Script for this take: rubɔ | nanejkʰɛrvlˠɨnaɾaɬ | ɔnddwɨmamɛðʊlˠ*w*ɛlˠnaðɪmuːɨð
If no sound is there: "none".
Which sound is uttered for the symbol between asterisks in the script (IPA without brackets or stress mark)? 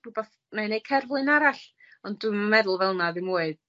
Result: v